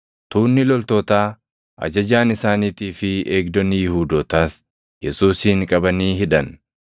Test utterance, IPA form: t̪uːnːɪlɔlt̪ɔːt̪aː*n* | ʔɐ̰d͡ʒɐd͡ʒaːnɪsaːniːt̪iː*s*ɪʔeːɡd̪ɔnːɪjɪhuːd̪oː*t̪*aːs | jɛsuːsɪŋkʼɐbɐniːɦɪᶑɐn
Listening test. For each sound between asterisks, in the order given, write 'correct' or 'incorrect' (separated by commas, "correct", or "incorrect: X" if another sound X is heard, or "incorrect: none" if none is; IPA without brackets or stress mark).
incorrect: none, incorrect: f, correct